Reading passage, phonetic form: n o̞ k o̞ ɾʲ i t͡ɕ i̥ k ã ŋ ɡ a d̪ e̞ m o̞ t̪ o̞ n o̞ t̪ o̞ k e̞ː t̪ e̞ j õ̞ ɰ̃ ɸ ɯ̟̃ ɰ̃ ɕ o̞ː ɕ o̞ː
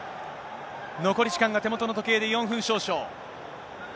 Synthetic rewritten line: n o̞ k o̞ ɾʲ i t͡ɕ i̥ k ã ŋ ɡ a t̪ e̞ m o̞ t̪ o̞ n o̞ t̪ o̞ k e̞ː d̪ e̞ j õ̞ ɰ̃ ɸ ɯ̟̃ ɰ̃ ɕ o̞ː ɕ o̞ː